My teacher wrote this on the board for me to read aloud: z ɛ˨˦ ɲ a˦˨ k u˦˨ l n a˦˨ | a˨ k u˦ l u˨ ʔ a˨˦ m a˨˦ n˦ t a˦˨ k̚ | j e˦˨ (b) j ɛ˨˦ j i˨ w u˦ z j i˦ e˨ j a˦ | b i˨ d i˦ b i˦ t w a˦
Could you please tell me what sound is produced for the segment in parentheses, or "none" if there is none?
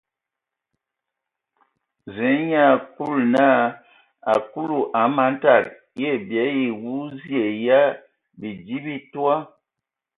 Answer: b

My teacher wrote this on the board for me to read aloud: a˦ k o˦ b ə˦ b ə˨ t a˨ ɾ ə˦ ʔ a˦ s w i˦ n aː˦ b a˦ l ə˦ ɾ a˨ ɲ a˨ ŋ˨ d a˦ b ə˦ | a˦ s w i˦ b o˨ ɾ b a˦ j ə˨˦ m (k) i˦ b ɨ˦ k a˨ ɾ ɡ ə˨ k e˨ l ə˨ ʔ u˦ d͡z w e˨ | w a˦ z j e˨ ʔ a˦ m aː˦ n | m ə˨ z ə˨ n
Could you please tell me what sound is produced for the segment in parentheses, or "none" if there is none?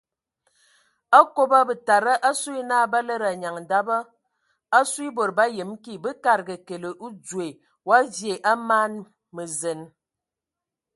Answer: k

